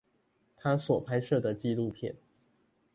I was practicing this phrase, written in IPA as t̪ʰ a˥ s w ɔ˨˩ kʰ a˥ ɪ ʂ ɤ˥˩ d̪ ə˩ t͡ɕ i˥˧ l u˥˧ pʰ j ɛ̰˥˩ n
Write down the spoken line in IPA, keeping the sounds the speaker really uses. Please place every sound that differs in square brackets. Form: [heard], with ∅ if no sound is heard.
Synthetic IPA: t̪ʰ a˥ s w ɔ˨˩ [pʰ] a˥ ɪ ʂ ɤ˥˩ d̪ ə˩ t͡ɕ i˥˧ l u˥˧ pʰ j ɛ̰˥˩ n